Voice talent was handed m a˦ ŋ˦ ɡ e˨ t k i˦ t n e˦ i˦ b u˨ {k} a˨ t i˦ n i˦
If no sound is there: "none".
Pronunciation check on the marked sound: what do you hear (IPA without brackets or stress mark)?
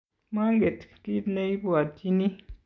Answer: none